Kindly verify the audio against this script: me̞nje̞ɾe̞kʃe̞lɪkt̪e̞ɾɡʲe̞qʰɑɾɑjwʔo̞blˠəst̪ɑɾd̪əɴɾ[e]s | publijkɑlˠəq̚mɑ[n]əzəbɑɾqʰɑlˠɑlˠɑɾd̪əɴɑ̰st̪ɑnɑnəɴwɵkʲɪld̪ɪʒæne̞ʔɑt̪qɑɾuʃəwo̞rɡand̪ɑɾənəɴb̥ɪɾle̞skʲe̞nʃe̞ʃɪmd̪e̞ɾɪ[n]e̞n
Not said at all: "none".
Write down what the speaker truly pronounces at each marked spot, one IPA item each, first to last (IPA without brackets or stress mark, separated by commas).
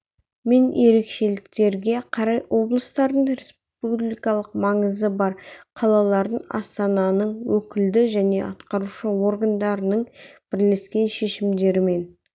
e, ɴ, m